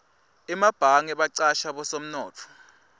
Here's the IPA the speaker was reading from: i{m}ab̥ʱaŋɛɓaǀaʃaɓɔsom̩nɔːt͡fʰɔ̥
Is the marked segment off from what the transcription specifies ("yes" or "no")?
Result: no